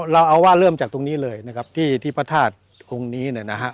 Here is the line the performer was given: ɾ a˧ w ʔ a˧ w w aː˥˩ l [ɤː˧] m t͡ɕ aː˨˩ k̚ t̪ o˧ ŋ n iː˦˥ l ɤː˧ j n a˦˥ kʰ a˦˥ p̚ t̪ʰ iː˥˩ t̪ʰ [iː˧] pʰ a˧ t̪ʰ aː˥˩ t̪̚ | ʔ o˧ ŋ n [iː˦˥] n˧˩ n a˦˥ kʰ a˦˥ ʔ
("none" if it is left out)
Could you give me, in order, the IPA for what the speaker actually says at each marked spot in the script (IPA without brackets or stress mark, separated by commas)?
ɤː˥˩, iː˥˩, iː˦˥